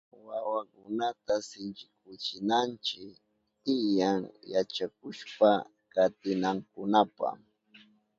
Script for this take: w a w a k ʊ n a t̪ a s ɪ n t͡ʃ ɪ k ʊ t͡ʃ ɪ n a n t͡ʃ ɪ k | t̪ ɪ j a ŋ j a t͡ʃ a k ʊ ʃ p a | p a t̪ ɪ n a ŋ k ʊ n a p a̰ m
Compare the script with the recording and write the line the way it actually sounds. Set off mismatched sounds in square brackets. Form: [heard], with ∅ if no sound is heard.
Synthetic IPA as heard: w a w a k ʊ n a t̪ a s ɪ n t͡ʃ ɪ k ʊ t͡ʃ ɪ n a n t͡ʃ ɪ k | t̪ ɪ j a ŋ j a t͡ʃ a k ʊ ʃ p a | [k] a t̪ ɪ n a ŋ k ʊ n a p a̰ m